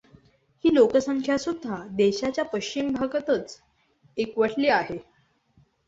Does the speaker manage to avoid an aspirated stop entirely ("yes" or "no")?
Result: no